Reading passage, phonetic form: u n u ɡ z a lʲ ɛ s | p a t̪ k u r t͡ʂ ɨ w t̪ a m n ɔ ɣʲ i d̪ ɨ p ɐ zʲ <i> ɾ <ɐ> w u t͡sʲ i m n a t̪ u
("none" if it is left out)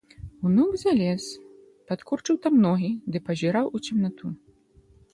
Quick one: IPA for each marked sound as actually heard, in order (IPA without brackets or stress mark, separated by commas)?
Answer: i, a